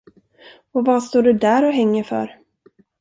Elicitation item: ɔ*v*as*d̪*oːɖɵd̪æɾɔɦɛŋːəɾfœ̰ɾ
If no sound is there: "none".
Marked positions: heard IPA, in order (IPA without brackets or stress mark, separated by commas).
v, t̪